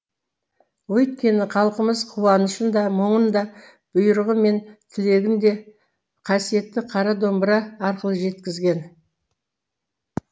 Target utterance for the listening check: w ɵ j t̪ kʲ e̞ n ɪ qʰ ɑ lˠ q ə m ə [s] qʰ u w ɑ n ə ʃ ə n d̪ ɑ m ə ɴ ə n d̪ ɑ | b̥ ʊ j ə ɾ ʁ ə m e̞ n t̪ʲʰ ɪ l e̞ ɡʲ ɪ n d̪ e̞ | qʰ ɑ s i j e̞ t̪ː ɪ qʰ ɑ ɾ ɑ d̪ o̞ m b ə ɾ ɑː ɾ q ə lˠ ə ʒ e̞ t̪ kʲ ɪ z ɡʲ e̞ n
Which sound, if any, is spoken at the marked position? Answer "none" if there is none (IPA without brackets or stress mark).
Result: z